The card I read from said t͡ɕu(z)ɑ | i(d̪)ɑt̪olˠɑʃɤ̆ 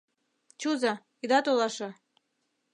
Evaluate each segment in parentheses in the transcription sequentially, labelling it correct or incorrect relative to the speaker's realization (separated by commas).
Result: correct, correct